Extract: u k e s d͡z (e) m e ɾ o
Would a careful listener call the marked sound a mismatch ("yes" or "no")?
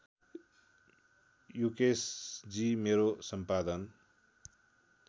yes